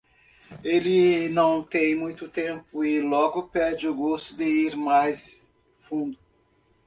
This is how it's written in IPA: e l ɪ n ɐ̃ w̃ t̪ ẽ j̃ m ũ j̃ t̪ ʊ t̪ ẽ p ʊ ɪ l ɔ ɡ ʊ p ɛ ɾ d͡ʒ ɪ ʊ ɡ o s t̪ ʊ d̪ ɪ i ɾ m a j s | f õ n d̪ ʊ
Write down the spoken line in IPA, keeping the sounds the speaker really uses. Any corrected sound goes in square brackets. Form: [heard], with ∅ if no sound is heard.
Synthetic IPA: e l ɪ n ɐ̃ w̃ t̪ ẽ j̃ m ũ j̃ t̪ ʊ t̪ ẽ p ʊ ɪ l ɔ ɡ ʊ p ɛ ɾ d͡ʒ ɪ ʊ ɡ o s t̪ ʊ d̪ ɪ i ɾ m a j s | f [ũ] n d̪ ʊ